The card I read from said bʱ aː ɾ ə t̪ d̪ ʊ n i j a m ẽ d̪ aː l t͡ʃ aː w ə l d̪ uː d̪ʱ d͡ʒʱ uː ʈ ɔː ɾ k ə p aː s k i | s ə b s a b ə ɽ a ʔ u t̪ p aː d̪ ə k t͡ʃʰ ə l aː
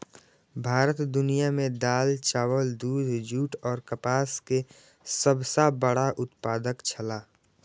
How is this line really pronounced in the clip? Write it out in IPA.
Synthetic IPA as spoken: bʱ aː ɾ ə t̪ d̪ ʊ n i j a m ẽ d̪ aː l t͡ʃ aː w ə l d̪ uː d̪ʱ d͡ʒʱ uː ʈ ɔː ɾ k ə p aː s k e | s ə b s a b ə ɽ a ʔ ʊ t̪ p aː d̪ ə k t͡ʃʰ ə l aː